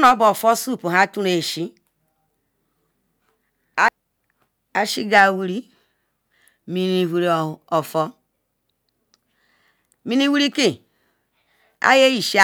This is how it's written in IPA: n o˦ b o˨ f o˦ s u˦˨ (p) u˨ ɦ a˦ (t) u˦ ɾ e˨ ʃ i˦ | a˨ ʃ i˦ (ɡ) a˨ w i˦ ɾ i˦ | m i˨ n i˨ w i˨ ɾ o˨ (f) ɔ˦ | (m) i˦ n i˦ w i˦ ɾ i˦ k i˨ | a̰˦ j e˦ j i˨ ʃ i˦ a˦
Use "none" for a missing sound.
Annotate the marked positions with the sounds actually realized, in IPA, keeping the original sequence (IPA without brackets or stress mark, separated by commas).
p, t, ɡ, f, m